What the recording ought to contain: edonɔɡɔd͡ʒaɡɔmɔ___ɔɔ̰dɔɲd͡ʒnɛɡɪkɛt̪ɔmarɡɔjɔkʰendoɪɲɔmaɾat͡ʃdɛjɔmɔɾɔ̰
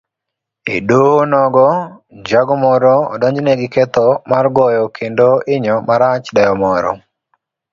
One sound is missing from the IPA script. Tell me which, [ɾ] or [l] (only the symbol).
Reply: ɾ